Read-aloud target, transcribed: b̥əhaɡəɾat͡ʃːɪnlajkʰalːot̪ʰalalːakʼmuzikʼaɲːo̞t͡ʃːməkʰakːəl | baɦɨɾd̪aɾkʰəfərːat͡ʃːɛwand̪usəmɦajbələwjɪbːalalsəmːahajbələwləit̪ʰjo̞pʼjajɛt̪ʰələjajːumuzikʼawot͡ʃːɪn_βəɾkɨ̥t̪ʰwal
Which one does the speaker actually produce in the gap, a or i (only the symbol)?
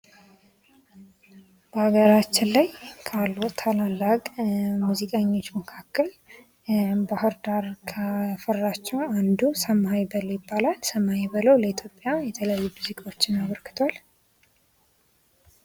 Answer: a